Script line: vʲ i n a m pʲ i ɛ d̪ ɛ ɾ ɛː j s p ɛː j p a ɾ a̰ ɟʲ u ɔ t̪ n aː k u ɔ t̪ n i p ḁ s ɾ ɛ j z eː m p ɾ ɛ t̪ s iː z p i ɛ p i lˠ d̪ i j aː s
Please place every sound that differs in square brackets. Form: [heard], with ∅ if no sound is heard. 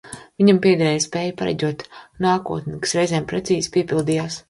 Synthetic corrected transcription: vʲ i [ɲ] a m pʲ i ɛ d̪ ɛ ɾ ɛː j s p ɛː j p a ɾ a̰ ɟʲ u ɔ t̪ n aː k u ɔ t̪ n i [k] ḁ s ɾ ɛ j z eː m p ɾ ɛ t̪ s iː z p i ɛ p i lˠ d̪ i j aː s